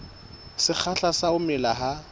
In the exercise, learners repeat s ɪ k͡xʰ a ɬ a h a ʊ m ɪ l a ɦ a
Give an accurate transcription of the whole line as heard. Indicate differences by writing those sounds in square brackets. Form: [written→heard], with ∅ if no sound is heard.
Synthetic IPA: s ɪ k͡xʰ a ɬ a [h→s] a ʊ m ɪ l a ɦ a